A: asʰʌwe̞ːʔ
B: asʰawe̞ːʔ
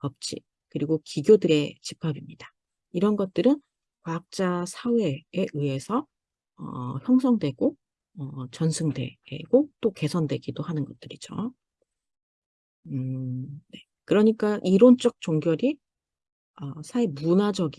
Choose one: B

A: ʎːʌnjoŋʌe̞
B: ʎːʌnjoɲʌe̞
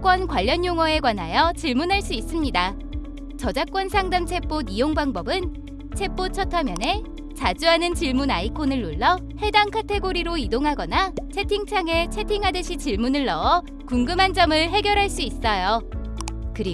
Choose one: A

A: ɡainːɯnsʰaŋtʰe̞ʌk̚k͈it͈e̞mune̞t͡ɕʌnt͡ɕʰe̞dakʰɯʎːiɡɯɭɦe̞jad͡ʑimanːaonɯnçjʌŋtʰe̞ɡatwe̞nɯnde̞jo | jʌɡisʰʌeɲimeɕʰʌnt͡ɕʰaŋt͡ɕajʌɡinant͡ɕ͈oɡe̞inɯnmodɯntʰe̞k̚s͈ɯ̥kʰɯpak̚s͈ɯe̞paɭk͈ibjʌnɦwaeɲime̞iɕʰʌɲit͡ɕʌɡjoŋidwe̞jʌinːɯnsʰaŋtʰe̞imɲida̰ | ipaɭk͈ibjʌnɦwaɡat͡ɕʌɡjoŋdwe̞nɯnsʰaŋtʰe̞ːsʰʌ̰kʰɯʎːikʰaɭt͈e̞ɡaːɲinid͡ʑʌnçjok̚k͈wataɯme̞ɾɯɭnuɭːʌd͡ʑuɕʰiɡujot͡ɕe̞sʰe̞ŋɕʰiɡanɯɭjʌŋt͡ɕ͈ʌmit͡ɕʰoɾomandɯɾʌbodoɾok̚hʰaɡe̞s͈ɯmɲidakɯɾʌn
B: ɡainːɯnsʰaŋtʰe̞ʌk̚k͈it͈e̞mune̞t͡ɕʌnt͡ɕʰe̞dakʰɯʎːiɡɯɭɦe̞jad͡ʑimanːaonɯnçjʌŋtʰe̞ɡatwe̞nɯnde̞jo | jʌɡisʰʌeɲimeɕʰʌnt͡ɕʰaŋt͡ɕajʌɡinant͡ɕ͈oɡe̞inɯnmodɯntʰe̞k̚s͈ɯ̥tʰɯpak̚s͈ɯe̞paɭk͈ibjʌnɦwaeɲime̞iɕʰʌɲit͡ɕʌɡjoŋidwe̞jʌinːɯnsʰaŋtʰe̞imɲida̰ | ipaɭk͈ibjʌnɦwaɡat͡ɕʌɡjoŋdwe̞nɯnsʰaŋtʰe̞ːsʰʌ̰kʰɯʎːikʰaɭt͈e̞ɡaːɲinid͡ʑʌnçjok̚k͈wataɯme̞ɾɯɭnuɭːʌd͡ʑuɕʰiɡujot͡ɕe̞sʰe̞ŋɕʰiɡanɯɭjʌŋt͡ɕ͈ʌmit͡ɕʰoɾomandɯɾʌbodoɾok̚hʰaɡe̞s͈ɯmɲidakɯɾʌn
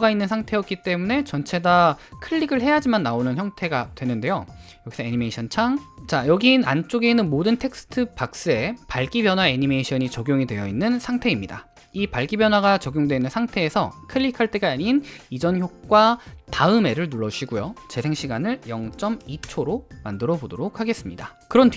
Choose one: B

